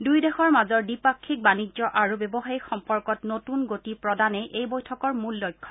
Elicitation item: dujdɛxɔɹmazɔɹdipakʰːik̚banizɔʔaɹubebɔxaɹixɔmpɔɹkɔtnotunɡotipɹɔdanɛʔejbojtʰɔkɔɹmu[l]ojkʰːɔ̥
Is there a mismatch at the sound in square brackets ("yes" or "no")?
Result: yes